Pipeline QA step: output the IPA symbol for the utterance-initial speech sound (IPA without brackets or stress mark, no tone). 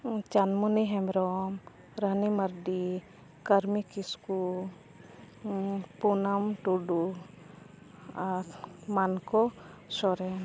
t͡ʃ